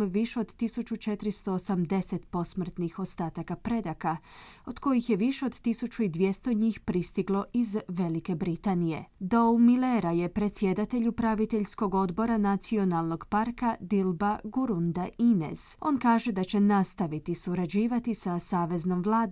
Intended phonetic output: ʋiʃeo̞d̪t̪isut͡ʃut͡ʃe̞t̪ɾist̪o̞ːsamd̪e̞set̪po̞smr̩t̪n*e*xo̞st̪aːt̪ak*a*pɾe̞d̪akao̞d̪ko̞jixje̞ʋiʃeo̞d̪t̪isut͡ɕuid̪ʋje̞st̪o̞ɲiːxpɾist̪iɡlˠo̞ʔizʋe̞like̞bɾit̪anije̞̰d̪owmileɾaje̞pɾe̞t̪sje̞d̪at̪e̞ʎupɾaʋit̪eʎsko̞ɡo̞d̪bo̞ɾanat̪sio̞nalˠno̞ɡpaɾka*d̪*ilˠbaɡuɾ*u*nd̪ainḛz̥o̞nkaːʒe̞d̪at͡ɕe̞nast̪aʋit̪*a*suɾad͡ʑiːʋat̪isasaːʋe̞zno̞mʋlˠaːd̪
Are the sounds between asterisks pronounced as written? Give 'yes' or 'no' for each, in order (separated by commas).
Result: no, yes, yes, yes, no